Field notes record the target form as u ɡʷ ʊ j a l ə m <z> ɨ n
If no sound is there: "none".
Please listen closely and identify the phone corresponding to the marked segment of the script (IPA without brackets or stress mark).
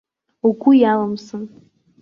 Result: s